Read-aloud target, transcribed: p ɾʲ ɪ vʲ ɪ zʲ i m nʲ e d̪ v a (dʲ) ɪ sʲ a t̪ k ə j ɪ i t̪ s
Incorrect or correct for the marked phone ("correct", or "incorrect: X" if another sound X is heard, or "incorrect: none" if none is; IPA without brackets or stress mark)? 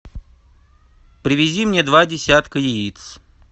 correct